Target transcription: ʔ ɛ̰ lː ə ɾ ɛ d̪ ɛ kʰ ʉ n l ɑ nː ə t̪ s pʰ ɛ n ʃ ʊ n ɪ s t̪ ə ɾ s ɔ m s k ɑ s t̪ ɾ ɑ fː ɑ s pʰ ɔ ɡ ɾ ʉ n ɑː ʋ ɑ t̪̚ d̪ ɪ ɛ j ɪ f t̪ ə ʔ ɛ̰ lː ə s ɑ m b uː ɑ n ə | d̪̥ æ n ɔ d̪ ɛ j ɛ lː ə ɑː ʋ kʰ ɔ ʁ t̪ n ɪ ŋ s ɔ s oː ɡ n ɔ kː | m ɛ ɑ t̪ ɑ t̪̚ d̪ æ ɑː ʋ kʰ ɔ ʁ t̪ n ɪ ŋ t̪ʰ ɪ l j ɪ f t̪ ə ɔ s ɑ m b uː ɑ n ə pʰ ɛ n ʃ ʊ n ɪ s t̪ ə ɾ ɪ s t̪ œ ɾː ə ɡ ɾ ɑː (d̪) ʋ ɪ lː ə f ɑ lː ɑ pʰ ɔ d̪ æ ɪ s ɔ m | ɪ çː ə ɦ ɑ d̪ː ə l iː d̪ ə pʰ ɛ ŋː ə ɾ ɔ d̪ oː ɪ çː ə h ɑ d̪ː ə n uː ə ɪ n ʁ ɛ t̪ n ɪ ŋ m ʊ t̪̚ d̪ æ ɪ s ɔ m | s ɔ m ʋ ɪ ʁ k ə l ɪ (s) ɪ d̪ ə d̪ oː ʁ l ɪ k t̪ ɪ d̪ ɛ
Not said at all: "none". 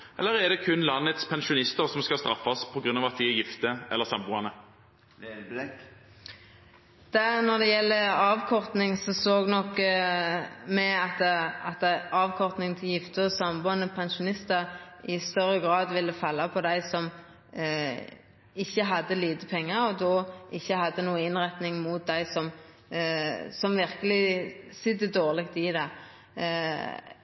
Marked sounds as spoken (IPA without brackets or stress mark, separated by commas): d̪, s